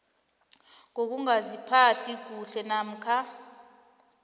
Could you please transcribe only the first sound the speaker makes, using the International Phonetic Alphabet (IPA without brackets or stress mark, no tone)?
ŋ